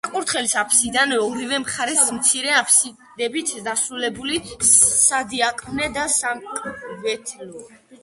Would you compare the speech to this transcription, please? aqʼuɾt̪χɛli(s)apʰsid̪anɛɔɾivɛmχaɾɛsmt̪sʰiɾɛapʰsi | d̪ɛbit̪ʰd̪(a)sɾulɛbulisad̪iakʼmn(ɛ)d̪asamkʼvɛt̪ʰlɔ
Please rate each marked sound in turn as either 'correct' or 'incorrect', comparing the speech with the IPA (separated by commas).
correct, correct, correct